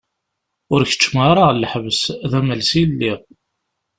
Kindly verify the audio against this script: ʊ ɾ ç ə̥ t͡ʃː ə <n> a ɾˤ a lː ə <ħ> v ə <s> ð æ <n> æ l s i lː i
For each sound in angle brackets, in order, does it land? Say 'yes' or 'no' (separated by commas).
no, yes, yes, no